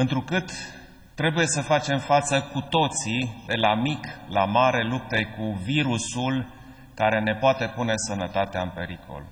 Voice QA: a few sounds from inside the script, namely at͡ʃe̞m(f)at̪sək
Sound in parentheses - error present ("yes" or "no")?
no